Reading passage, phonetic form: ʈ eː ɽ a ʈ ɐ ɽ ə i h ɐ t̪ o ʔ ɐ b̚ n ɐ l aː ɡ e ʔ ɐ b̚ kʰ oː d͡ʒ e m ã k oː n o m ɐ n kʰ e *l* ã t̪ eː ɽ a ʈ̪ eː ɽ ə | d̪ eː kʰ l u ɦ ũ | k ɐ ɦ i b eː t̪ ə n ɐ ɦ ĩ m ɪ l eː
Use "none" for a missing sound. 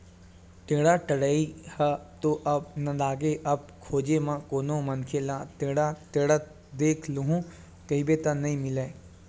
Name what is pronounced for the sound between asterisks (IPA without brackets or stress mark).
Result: l